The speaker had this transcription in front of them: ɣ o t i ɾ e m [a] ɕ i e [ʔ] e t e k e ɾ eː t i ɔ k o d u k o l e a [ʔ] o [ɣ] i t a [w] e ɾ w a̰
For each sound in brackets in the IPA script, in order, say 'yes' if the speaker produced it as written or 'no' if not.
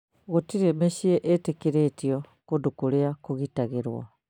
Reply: no, yes, no, yes, no

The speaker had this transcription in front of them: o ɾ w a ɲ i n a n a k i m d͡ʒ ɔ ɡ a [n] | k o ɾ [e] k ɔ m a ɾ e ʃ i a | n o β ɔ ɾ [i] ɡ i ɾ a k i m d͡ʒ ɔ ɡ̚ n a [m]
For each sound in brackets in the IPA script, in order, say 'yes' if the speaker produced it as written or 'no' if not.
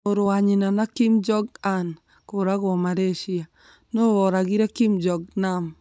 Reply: yes, no, no, yes

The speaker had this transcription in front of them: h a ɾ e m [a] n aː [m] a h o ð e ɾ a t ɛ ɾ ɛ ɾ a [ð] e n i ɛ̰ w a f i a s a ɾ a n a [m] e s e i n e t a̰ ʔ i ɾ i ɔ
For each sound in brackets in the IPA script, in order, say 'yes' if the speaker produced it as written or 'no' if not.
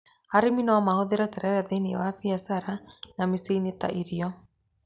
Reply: no, yes, yes, yes

